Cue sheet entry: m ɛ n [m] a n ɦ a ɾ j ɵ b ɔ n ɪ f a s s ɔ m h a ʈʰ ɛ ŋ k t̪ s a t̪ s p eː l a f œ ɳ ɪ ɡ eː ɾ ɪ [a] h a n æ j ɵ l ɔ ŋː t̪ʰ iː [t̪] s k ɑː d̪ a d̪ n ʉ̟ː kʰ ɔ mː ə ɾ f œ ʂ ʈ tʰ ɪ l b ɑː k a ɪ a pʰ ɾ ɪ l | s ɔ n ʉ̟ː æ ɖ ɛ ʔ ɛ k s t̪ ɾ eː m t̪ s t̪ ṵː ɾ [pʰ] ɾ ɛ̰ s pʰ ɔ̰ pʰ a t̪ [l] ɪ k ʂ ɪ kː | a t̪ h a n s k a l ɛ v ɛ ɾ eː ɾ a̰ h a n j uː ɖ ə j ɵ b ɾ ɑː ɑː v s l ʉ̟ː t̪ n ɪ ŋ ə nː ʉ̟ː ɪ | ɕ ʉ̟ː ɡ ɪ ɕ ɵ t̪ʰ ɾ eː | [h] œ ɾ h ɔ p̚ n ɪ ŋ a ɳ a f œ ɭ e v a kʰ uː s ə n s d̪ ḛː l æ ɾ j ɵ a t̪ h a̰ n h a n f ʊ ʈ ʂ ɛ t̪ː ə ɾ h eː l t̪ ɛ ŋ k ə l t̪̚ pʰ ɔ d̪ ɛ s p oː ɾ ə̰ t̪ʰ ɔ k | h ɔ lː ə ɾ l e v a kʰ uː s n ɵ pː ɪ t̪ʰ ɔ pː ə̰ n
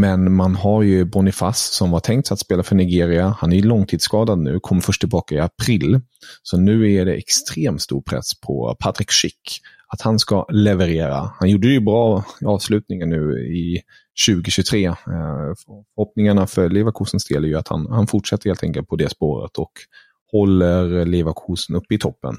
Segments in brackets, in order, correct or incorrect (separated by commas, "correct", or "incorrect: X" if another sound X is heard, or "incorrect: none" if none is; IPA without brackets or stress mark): correct, correct, incorrect: d̪, correct, incorrect: ɾ, incorrect: f